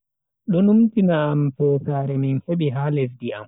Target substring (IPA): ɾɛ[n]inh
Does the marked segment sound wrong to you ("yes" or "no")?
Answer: yes